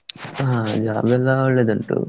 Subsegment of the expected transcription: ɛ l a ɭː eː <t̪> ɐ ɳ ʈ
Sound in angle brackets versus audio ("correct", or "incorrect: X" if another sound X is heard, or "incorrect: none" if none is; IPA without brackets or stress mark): incorrect: d̪